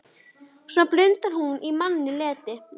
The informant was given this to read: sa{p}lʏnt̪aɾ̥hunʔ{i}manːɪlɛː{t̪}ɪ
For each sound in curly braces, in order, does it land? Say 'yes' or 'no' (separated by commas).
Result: yes, yes, yes